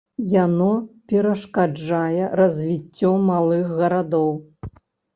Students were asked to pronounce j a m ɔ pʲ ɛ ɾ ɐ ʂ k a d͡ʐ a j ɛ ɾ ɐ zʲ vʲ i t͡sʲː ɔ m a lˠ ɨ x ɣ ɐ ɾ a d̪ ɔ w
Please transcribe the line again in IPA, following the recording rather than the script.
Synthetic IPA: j a n ɔ pʲ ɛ ɾ ɐ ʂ k a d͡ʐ a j ɛ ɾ ɐ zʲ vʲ i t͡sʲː ɔ m a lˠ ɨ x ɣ ɐ ɾ a d̪ ɔ w

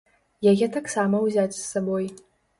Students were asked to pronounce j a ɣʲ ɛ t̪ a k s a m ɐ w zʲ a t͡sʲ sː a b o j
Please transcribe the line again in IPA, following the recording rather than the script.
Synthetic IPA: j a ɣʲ ɛ t̪ a k s a m ɐ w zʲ a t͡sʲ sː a b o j

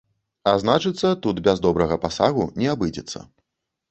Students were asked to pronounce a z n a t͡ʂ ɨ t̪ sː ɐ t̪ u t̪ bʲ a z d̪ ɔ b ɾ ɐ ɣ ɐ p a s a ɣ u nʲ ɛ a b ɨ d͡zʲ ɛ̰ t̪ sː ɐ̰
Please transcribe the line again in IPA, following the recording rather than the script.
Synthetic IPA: a z n a t͡ʂ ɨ t̪ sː ɐ t̪ u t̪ bʲ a z d̪ ɔ b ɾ ɐ ɣ ɐ p a s a ɣ u nʲ ɛ a b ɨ d͡zʲ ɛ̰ t̪ sː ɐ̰

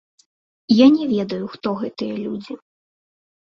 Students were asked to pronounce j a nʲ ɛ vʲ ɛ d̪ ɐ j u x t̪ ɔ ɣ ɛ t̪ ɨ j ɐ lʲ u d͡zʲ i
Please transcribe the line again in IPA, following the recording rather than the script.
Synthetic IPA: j a nʲ ɛ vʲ ɛ d̪ ɐ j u x t̪ ɔ ɣ ɛ t̪ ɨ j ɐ lʲ u d͡zʲ i

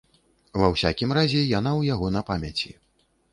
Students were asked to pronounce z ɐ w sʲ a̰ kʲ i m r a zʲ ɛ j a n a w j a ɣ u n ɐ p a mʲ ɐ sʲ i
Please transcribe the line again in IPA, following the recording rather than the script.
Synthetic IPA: v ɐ w sʲ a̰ kʲ i m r a zʲ ɛ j a n a w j a ɣ ɔ n ɐ p a mʲ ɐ t͡sʲ i

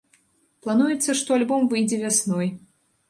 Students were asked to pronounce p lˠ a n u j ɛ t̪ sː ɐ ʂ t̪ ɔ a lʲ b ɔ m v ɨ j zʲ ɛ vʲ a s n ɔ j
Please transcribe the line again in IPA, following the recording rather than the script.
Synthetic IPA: p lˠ a n u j ɛ t̪ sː ɐ ʂ t̪ ɔ a lʲ b ɔ m v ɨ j d͡zʲ ɛ vʲ a s n ɔ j

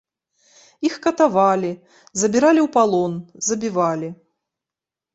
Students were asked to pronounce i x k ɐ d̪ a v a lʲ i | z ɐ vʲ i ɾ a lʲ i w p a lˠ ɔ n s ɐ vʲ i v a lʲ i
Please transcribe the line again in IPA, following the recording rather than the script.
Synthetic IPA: i x k ɐ t̪ a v a lʲ i | z ɐ bʲ i ɾ a lʲ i w p a lˠ ɔ n z ɐ bʲ i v a lʲ i

